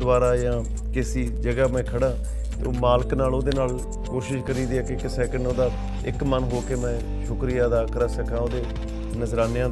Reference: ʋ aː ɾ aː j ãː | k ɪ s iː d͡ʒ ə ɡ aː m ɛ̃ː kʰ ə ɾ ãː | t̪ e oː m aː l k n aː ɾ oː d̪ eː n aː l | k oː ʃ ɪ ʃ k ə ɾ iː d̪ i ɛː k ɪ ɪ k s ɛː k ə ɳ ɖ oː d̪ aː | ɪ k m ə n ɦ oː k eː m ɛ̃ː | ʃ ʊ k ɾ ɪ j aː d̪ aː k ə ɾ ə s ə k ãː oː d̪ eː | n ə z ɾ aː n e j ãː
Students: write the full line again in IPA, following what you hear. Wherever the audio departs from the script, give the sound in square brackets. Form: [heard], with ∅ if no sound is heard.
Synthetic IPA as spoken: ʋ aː ɾ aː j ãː | k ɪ s iː d͡ʒ ə ɡ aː m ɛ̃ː kʰ ə [ɽ] ãː | t̪ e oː m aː l k n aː [l] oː d̪ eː n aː l | k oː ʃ ɪ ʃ k ə ɾ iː d̪ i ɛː k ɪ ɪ k s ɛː k ə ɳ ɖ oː d̪ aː | ɪ k m ə n ɦ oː k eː m ɛ̃ː | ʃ ʊ k ɾ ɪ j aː d̪ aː k ə ɾ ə s ə k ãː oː d̪ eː | n ə z ɾ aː n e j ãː